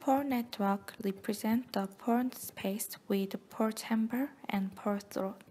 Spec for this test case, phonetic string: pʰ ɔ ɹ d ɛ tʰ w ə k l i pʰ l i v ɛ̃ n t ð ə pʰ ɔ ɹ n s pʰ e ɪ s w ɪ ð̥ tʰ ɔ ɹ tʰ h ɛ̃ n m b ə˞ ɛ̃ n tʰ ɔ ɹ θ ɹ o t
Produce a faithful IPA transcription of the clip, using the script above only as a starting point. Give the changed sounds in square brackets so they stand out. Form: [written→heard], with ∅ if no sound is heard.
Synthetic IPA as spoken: pʰ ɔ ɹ [d→n] ɛ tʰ w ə k [l→ɹ] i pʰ [l→ɹ] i [v→z] ɛ̃ n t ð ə pʰ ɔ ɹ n s pʰ e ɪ s w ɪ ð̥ [tʰ→pʰ] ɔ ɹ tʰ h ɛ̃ [n→∅] m b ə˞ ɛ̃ n [tʰ→pʰ] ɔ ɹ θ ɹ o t

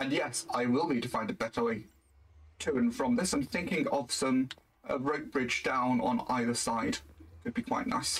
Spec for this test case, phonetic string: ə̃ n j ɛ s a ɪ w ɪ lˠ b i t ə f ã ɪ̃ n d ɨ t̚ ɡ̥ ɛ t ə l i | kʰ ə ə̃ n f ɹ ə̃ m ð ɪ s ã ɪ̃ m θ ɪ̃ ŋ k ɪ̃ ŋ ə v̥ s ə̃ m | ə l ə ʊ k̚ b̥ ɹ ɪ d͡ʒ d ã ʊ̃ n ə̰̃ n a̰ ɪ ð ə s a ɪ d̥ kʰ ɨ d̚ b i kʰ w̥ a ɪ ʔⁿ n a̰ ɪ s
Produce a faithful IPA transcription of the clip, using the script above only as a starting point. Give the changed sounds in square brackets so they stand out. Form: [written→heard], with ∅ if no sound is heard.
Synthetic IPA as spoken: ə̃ n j ɛ s a ɪ w ɪ lˠ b i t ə f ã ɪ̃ n d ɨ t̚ [ɡ̥→b̥] ɛ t ə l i | [kʰ→tʰ] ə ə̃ n f ɹ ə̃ m ð ɪ s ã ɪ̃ m θ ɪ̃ ŋ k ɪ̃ ŋ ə v̥ s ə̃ m | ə [l→ɹ] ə ʊ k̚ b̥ ɹ ɪ d͡ʒ d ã ʊ̃ n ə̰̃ n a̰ ɪ ð ə s a ɪ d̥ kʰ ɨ d̚ b i kʰ w̥ a ɪ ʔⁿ n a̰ ɪ s

